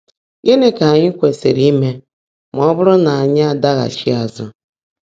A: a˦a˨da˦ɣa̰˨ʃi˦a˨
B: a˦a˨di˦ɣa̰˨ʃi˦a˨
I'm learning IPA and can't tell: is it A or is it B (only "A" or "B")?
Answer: A